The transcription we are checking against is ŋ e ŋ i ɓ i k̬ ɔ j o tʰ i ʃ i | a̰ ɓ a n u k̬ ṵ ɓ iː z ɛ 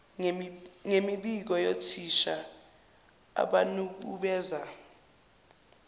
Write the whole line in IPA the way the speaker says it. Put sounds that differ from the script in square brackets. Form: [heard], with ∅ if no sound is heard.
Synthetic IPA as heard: ŋ e [m] i ɓ i k̬ ɔ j o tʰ i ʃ [a] | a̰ ɓ a n u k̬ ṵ ɓ [ɛː] z [a]